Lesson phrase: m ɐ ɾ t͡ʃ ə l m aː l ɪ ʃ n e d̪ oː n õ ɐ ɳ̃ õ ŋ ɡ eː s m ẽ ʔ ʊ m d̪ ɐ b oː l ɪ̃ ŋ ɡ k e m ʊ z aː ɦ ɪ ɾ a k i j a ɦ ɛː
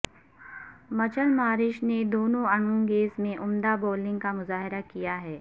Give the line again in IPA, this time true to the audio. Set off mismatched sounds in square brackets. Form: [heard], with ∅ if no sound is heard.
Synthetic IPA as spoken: m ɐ [∅] t͡ʃ ə l m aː [ɾ] ɪ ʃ n e d̪ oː n õ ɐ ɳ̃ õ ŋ ɡ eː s m ẽ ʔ ʊ m d̪ [a] b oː l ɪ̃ ŋ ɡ k [a] m ʊ z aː ɦ ɪ ɾ a k i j a ɦ ɛː